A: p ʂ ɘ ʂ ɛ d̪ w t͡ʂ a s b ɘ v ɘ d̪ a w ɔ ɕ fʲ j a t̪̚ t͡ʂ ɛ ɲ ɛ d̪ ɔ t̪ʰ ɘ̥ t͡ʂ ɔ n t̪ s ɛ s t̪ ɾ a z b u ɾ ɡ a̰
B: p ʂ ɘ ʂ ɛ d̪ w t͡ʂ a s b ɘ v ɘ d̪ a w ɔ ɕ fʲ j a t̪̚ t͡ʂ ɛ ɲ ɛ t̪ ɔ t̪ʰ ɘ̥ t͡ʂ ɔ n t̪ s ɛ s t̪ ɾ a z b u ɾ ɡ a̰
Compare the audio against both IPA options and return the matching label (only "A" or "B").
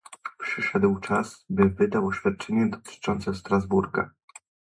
A